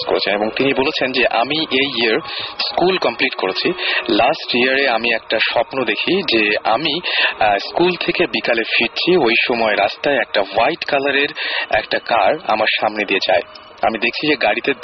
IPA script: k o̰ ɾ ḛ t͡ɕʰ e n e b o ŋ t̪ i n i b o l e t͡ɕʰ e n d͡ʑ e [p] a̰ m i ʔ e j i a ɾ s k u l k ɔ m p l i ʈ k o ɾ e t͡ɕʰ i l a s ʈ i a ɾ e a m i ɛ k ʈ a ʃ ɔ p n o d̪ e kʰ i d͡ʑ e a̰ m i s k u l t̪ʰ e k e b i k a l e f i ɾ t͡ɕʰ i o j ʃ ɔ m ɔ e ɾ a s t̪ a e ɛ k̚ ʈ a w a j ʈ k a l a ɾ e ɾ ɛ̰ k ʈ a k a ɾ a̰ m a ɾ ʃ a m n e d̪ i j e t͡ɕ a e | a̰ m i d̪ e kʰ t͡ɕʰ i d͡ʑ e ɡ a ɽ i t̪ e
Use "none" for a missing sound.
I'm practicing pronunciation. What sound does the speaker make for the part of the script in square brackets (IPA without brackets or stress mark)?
ʔ